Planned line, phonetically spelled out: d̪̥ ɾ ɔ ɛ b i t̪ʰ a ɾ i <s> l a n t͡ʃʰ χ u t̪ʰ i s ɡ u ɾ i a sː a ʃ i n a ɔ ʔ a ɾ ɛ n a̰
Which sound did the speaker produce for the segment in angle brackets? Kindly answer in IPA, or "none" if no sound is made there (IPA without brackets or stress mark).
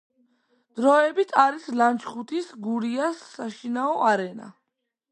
s